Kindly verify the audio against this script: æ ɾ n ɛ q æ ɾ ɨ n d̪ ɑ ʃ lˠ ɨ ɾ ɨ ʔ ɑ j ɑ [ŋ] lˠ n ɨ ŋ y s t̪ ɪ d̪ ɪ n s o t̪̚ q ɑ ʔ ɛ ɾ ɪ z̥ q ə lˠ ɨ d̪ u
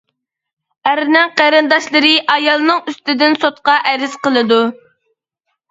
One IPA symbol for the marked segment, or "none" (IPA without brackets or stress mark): none